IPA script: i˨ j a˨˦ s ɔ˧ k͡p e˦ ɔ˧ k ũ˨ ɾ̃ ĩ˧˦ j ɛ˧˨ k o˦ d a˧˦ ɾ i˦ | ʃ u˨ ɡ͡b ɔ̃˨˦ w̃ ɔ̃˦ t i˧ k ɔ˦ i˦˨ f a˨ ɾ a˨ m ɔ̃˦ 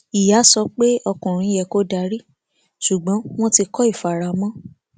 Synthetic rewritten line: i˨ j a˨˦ s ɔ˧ k͡p e˦ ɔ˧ k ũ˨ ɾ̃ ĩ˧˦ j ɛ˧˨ k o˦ d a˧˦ ɾ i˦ | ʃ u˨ ɡ͡b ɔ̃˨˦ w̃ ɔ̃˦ t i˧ k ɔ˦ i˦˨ f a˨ ɾ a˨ m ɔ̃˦